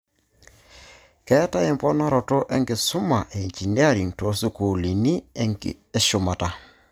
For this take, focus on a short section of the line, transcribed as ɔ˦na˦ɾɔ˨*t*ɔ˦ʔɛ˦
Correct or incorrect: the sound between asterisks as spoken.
correct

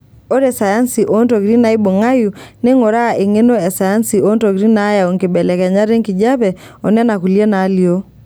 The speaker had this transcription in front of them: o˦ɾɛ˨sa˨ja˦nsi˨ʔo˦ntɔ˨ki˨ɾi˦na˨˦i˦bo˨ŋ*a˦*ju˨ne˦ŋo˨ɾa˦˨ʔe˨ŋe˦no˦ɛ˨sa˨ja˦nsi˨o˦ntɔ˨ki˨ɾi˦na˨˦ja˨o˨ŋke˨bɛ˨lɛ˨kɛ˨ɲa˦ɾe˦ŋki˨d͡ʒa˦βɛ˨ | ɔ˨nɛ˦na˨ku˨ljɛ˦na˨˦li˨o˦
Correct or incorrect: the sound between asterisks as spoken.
correct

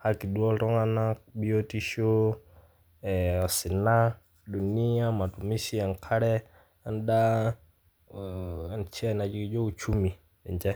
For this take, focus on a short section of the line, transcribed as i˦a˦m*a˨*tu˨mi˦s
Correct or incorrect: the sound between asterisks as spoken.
correct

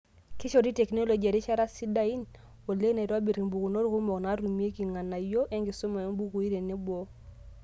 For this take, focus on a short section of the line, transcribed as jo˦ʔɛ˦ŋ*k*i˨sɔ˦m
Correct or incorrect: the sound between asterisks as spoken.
incorrect: ɡ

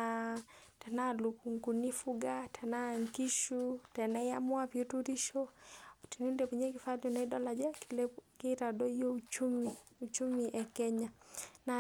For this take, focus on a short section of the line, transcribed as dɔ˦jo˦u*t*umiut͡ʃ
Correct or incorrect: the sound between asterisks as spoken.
incorrect: t͡ʃ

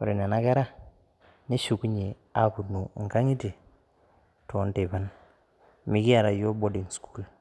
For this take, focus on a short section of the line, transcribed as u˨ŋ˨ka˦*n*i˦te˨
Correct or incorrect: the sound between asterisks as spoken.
incorrect: ŋ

